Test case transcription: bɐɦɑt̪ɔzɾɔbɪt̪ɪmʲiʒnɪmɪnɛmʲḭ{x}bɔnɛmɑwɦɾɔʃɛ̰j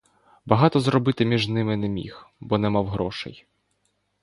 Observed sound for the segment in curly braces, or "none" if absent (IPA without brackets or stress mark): x